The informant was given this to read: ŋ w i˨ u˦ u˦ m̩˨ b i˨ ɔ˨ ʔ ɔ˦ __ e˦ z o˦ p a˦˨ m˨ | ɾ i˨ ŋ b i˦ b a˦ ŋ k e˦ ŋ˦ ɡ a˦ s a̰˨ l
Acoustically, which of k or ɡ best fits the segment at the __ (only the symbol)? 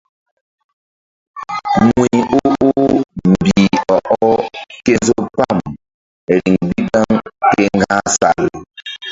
k